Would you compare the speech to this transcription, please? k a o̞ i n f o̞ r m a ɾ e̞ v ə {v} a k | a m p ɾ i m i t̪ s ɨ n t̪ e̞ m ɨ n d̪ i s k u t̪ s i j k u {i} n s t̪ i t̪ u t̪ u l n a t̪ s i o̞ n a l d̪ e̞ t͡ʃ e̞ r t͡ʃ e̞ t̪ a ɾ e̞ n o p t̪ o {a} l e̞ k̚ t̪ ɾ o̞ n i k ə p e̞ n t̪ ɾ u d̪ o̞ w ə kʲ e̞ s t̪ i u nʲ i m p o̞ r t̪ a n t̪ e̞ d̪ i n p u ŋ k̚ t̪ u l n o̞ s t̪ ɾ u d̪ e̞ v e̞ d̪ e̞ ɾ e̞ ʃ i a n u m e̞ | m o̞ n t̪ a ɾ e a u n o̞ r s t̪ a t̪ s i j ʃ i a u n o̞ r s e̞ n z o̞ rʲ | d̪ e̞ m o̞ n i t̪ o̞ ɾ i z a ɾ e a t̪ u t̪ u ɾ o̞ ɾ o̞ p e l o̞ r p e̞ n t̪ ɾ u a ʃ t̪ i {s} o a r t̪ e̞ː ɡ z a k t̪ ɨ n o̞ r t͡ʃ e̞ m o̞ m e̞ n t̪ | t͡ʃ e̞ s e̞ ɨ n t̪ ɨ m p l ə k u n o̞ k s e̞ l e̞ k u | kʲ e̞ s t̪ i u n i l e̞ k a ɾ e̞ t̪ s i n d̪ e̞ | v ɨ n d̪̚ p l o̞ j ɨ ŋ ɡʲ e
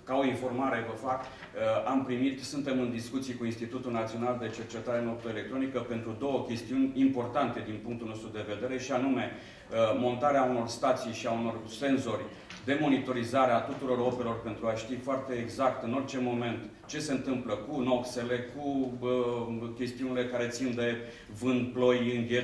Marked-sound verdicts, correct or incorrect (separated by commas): incorrect, correct, incorrect, incorrect